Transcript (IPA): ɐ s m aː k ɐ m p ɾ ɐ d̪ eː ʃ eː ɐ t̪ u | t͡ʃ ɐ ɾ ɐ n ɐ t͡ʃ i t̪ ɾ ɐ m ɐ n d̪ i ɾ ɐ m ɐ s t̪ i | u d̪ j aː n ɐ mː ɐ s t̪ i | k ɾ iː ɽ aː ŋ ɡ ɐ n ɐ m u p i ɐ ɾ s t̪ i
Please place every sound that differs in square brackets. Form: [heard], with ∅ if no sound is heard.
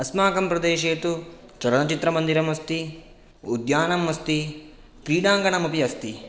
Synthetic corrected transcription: ɐ s m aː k ɐ m p ɾ ɐ d̪ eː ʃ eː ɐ t̪ u | t͡ʃ ɐ ɾ ɐ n ɐ t͡ʃ i t̪ ɾ ɐ m ɐ n d̪ i ɾ ɐ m ɐ s t̪ i | u d̪ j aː n ɐ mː ɐ s t̪ i | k ɾ iː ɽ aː ŋ ɡ ɐ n ɐ m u p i ɐ [∅] s t̪ i